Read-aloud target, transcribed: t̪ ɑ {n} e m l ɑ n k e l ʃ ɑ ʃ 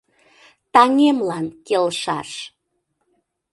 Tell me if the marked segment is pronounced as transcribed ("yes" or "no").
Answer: no